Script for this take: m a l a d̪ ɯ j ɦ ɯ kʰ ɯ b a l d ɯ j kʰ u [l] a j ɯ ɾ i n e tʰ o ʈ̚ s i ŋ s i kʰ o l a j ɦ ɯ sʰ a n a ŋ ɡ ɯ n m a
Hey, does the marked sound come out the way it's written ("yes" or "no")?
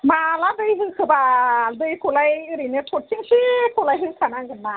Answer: yes